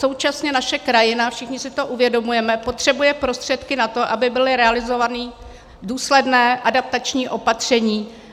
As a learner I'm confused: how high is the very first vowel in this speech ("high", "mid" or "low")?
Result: mid